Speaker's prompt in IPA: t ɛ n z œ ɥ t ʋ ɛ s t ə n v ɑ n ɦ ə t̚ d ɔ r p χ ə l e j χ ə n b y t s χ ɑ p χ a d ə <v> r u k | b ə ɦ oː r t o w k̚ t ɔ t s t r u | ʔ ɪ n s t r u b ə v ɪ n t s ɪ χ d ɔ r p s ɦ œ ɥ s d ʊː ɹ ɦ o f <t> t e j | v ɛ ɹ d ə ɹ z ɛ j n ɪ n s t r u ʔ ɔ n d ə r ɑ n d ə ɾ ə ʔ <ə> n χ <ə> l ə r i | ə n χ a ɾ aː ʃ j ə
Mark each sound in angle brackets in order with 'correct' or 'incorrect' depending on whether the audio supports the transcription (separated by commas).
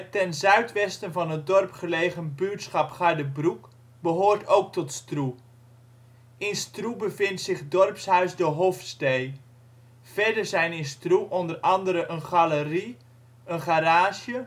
incorrect, incorrect, correct, incorrect